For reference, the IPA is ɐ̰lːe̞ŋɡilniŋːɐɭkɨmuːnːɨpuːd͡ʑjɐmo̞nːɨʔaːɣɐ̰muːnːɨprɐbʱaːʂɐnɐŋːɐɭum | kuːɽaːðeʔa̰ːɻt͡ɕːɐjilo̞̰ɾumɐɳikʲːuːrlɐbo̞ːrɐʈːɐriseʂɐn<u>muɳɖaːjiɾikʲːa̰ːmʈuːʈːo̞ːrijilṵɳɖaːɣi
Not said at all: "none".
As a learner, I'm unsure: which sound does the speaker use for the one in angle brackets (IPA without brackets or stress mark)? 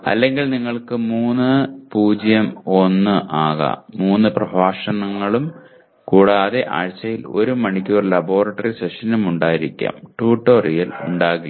u